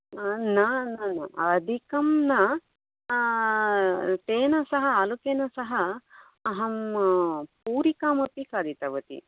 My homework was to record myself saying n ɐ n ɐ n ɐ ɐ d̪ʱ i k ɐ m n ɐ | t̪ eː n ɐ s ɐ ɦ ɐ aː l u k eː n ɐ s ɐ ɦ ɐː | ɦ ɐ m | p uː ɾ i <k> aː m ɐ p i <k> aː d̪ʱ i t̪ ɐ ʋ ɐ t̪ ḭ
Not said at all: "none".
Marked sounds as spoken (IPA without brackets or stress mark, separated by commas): k, k